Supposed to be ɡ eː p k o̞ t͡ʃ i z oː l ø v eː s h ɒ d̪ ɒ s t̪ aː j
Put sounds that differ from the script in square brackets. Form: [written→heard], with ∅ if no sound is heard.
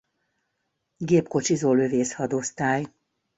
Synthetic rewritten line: ɡ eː p k o̞ t͡ʃ i z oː l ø v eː s h ɒ d̪ [ɒ→o] s t̪ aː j